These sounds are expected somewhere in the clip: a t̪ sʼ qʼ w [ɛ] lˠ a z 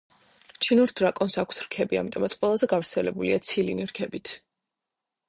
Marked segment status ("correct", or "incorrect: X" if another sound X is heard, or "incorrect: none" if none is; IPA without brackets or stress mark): correct